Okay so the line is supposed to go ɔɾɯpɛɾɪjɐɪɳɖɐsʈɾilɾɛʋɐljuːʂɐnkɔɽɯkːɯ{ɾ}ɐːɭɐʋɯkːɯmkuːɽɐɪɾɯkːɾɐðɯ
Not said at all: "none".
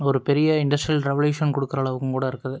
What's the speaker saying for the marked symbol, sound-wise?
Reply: ɾ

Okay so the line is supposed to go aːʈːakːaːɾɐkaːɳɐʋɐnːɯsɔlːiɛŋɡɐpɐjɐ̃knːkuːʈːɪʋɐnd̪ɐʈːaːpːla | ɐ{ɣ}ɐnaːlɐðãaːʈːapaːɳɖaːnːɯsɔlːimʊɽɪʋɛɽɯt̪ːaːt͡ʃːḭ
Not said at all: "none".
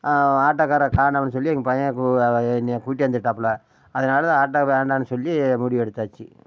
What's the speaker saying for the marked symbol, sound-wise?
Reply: ð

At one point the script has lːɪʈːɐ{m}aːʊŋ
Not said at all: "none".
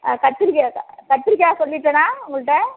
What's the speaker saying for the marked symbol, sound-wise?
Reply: n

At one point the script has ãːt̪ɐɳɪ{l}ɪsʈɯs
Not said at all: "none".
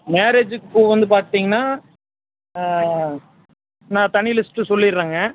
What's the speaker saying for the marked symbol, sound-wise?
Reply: l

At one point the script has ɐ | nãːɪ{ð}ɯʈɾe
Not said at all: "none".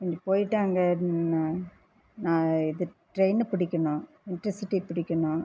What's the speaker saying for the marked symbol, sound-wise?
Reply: ð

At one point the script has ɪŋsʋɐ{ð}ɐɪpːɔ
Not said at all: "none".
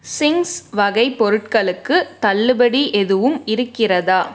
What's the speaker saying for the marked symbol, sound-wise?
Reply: ɣ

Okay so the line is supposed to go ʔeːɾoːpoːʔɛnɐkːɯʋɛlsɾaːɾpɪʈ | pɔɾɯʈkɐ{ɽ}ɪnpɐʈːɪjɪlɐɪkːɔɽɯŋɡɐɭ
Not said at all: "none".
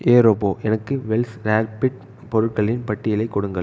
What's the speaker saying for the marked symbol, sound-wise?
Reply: ɭ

